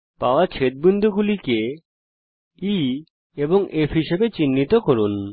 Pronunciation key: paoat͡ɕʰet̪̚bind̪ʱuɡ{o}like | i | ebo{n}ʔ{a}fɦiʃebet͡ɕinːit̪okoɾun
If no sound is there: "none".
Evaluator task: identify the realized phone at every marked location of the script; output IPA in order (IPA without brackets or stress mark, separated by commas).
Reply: u, ŋ, e